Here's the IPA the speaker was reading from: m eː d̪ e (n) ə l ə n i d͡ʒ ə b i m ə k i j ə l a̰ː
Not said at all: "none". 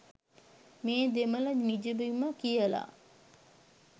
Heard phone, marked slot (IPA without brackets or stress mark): m